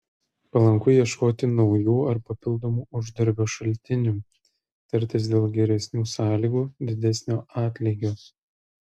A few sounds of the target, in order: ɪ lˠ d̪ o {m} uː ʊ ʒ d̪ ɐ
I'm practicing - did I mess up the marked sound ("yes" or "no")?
no